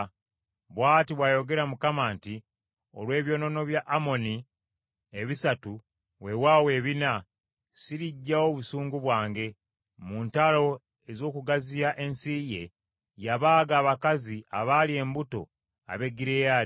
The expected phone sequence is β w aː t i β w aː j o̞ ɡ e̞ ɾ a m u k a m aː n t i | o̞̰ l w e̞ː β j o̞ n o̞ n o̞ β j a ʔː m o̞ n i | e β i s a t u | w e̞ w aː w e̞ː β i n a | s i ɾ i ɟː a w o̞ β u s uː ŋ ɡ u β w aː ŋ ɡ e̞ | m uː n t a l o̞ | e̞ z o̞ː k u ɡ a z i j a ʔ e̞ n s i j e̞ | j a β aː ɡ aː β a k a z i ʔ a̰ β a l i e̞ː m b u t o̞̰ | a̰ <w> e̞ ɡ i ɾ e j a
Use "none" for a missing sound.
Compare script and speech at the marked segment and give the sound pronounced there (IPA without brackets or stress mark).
β